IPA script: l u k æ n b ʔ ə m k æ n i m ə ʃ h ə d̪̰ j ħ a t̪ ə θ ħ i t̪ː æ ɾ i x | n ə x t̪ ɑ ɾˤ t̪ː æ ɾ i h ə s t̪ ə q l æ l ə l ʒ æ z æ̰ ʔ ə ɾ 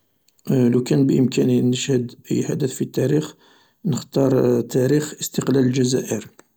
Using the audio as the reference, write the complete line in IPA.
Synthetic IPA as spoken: l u k æ n b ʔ ə m k æ n i n ə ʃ h ə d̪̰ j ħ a d̪ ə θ f i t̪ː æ ɾ i x | n ə x t̪ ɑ ɾˤ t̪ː æ ɾ i x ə s t̪ ə q l æ l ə l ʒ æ z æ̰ ʔ ə ɾ